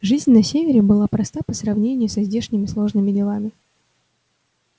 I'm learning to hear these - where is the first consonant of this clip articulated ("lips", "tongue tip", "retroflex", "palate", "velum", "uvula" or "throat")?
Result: retroflex